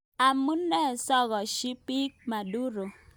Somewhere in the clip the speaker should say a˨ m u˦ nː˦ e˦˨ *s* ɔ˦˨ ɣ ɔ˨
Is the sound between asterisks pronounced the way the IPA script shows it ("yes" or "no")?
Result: yes